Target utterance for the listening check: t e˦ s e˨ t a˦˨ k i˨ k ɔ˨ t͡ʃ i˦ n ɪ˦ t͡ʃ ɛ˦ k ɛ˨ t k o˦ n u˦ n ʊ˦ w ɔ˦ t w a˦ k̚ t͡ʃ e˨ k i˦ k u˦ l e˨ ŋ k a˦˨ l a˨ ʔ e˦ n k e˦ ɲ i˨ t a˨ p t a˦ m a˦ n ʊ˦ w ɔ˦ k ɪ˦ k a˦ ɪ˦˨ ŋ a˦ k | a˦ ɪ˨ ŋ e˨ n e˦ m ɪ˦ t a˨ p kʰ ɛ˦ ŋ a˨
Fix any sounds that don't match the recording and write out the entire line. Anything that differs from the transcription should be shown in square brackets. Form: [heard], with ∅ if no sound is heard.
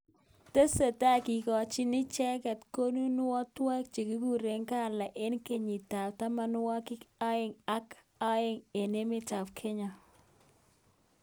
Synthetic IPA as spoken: t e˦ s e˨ t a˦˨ k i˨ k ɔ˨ t͡ʃ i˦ n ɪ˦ t͡ʃ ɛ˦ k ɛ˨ t k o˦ n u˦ n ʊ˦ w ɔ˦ t w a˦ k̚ t͡ʃ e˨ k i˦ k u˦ [ɾ] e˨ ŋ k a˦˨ l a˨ ʔ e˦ n k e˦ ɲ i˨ t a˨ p t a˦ m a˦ n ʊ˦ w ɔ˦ k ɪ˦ k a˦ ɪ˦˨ ŋ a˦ k | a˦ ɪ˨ ŋ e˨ n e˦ m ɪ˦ t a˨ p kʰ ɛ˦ [ɲ] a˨